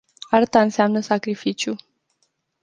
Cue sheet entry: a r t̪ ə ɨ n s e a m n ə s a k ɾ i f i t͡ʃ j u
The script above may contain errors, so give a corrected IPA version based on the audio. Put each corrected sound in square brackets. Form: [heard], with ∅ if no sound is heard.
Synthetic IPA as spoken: a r t̪ [a] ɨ n s e a m n ə s a k ɾ i f i t͡ʃ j u